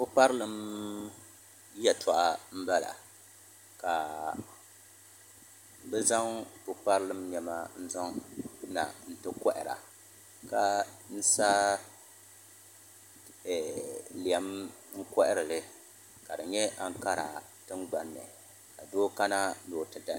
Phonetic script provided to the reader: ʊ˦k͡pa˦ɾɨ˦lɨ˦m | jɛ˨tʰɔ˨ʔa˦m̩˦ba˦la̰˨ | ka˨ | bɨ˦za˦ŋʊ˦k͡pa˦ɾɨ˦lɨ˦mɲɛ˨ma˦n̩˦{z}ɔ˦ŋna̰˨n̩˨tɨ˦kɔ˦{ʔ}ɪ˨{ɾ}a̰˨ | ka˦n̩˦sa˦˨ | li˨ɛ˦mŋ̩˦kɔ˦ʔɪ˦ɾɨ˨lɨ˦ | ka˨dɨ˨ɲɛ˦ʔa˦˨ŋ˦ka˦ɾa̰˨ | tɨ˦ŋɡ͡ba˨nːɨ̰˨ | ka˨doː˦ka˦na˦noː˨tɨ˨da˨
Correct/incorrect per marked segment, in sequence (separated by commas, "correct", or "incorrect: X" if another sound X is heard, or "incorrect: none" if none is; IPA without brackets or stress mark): correct, correct, correct